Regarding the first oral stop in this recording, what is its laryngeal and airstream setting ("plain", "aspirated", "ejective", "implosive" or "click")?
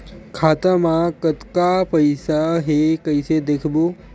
aspirated